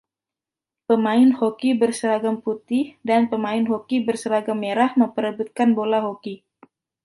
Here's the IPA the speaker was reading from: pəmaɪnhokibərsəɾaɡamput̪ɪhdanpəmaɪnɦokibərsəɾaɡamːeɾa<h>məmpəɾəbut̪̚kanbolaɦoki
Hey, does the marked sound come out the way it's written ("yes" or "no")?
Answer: yes